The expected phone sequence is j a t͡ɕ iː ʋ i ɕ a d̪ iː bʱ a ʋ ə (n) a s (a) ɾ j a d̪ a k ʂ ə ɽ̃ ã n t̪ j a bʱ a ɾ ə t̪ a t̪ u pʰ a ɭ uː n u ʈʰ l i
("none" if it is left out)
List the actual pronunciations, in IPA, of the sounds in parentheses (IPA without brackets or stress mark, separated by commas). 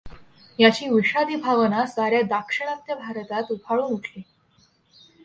n, a